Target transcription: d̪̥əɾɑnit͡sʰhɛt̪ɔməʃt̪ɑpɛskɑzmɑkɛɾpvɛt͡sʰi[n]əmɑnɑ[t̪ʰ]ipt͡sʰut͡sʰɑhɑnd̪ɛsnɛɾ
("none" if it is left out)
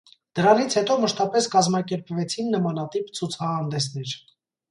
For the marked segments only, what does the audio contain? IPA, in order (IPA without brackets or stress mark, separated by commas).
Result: nː, t̪